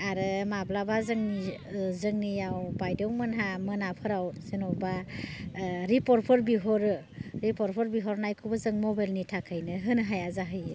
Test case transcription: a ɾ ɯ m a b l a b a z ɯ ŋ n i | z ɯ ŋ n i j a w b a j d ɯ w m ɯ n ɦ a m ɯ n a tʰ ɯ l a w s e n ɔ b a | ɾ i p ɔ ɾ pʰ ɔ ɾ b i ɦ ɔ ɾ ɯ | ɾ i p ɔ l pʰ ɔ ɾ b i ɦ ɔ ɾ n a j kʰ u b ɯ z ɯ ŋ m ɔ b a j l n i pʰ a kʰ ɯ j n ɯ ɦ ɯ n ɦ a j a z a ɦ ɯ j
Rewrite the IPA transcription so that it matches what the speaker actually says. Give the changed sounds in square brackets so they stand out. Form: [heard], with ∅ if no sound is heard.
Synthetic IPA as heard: a ɾ ɯ m a b l a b a z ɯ ŋ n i | z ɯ ŋ n i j a w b a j d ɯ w m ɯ n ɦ a m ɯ n a [pʰ] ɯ [ɾ] a w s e n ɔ b a | ɾ i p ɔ ɾ pʰ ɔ ɾ b i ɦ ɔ ɾ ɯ | ɾ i p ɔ [ɾ] pʰ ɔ ɾ b i ɦ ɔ ɾ n a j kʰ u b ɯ z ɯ ŋ m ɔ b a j l n i [tʰ] a kʰ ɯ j n ɯ ɦ ɯ n ɦ a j a z a ɦ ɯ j